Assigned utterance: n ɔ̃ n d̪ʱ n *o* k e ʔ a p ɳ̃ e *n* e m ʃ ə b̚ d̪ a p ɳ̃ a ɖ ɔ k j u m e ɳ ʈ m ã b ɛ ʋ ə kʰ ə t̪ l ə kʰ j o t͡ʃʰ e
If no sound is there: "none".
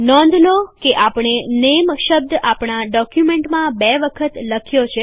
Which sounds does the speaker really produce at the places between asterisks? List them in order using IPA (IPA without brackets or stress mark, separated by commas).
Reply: o, n